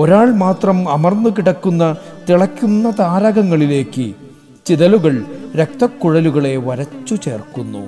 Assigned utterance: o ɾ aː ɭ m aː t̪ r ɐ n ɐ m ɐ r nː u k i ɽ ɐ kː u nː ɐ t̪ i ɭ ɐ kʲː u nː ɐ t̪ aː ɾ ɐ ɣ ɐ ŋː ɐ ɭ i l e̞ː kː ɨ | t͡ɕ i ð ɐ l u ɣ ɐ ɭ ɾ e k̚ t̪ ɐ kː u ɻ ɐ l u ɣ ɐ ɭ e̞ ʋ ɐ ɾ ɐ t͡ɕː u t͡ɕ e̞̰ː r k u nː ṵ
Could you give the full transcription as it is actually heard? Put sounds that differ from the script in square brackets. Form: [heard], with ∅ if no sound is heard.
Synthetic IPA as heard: o ɾ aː ɭ m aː t̪ r ɐ [m] ɐ m ɐ r nː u k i ɽ ɐ kː u nː ɐ t̪ i ɭ ɐ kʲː u nː ɐ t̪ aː ɾ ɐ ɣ ɐ ŋː ɐ ɭ i l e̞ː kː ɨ | t͡ɕ i ð ɐ l u ɣ ɐ ɭ ɾ e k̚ t̪ ɐ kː u ɻ ɐ l u ɣ ɐ ɭ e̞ ʋ ɐ ɾ ɐ t͡ɕː u t͡ɕ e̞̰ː r k u nː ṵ